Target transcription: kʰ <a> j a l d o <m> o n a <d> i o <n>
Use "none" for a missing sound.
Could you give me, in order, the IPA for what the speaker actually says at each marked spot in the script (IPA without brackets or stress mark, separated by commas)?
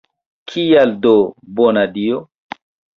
i, b, d, none